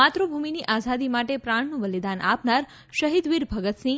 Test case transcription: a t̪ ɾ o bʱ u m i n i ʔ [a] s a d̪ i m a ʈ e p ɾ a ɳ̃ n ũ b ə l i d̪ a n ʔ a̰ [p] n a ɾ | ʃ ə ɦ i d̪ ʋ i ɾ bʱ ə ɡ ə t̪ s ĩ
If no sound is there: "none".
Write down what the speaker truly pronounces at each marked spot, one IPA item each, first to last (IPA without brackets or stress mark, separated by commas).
a, p